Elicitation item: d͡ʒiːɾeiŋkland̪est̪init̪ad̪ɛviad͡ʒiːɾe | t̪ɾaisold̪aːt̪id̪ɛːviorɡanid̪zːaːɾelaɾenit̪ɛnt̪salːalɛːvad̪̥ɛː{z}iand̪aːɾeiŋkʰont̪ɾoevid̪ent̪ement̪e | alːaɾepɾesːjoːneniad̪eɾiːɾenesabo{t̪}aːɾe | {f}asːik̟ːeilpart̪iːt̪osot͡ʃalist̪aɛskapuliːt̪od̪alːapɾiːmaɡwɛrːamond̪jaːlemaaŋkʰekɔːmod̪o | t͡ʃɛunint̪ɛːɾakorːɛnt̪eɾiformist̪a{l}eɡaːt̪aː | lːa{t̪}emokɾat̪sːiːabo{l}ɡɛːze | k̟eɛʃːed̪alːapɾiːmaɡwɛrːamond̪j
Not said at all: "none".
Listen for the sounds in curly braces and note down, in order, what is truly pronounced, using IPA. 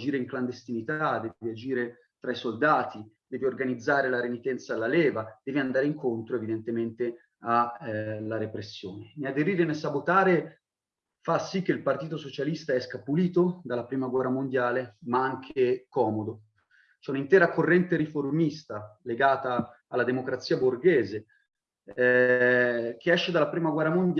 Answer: v, t̪, f, l, d̪, r

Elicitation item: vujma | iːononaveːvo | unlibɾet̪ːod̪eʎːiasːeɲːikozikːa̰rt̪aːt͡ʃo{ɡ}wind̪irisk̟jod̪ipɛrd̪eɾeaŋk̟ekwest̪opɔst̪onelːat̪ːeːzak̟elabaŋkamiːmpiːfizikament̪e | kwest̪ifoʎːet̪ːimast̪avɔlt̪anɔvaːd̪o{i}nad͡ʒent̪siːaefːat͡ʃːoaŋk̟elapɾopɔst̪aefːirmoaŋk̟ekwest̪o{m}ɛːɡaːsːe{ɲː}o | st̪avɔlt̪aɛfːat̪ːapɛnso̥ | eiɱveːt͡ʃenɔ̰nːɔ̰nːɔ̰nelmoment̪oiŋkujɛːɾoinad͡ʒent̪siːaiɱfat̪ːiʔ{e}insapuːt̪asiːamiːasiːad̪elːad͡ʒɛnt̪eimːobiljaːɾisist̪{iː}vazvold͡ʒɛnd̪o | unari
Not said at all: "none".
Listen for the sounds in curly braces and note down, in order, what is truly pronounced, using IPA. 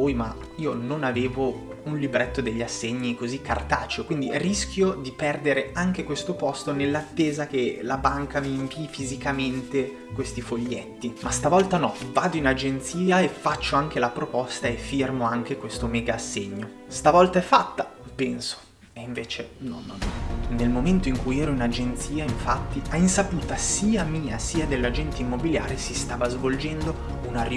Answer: k, i, m, ɲː, a, aː

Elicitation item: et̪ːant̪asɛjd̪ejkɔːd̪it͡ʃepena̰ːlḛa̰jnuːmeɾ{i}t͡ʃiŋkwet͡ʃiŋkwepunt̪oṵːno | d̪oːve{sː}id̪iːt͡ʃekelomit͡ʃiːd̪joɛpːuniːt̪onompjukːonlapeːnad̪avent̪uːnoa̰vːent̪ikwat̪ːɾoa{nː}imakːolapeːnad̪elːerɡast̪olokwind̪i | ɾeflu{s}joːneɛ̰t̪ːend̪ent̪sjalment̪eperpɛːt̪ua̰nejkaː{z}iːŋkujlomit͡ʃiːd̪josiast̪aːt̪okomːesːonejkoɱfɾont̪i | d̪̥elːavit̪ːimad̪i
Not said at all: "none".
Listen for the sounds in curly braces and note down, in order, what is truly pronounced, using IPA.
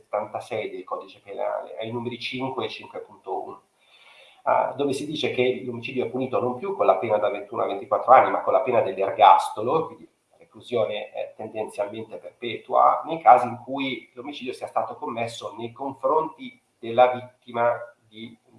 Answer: i, s, nː, z, z

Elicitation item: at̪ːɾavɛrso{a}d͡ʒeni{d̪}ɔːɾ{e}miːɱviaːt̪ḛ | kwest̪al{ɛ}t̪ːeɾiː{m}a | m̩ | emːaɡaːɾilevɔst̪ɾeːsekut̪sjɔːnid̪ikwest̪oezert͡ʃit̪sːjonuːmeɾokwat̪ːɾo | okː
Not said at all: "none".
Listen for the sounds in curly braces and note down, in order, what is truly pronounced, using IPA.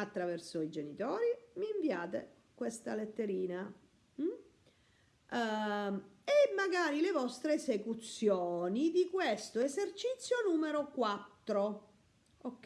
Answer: i, t̪, i, e, n

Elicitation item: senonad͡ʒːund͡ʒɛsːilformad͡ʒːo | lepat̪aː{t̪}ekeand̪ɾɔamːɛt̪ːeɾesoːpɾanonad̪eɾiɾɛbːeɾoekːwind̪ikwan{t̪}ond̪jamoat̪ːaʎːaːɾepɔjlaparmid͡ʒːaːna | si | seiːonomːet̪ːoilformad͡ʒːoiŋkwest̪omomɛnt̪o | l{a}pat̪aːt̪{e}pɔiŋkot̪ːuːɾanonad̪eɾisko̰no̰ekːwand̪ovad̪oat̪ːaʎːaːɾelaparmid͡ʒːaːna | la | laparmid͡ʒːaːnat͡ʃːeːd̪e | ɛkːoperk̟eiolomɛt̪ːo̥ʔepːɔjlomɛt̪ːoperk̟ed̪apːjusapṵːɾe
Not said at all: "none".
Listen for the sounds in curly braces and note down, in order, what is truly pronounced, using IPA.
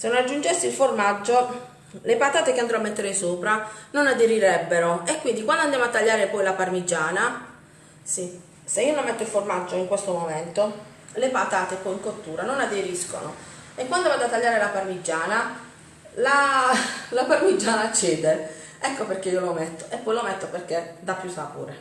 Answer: t̪, d̪, e, e

